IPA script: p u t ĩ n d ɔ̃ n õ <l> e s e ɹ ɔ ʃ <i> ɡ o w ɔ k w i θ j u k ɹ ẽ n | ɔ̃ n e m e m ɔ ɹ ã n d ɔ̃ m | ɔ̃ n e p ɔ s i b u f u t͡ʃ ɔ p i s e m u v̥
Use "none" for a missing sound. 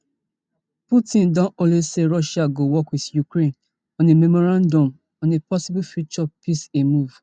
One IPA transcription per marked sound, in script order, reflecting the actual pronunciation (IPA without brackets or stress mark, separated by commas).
l, a